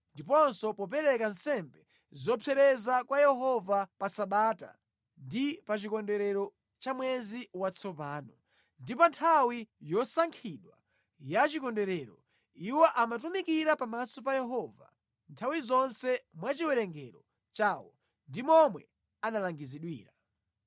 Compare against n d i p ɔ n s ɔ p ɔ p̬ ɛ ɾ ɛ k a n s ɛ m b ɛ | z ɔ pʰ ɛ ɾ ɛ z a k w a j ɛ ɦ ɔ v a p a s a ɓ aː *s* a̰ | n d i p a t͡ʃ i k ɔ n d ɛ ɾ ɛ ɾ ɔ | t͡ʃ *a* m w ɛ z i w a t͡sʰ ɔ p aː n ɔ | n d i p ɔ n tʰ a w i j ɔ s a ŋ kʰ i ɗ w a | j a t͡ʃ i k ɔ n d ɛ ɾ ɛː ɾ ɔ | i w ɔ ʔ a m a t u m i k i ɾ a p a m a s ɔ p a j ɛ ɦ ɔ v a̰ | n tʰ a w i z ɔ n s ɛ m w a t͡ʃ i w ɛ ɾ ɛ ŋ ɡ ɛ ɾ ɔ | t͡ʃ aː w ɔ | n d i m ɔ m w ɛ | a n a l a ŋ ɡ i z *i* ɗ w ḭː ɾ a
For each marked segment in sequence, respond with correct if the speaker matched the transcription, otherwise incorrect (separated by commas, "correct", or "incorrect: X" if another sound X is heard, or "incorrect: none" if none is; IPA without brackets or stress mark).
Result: incorrect: t, correct, correct